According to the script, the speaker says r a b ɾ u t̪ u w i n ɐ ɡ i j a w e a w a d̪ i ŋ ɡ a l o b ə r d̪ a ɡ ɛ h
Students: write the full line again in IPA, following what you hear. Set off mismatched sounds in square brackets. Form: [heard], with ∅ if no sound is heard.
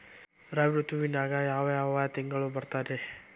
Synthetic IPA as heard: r a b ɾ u t̪ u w i n [a] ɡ [a] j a w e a w a [t̪] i ŋ ɡ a l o b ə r [t̪] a [d] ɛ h